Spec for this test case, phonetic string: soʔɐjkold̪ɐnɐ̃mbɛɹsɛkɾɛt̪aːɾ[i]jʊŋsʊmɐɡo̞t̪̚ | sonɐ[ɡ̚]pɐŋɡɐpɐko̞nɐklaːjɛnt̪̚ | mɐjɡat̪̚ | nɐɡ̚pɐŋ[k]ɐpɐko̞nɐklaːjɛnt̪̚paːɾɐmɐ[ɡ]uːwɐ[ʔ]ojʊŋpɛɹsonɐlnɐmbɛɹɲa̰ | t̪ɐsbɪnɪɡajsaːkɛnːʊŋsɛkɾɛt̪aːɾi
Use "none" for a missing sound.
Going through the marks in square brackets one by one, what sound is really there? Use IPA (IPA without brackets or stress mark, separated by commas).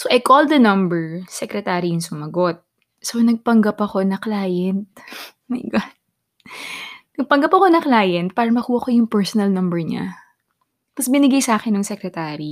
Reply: i, ɡ̚, ɡ, k, k